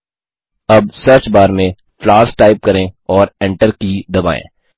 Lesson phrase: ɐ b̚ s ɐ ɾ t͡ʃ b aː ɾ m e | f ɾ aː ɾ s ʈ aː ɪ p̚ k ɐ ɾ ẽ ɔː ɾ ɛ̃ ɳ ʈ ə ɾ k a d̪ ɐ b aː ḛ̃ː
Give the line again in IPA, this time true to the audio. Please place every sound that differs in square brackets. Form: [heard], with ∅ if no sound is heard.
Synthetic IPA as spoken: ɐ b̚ s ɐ ɾ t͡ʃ b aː ɾ m [ẽ] | f [l] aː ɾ s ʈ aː ɪ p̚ k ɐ ɾ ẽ ɔː ɾ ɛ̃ ɳ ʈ ə ɾ k [i] d̪ ɐ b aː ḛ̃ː